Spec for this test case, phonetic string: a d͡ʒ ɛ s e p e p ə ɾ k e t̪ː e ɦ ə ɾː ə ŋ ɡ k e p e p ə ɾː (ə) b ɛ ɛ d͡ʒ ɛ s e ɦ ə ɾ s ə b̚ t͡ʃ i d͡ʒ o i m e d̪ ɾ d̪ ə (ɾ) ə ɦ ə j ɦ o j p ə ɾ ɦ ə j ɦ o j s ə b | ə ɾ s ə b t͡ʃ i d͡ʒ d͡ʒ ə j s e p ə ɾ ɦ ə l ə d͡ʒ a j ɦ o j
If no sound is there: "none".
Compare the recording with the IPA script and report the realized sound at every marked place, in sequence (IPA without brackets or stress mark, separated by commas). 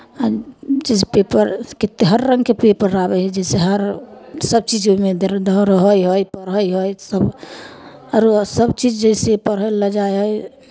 a, ɾ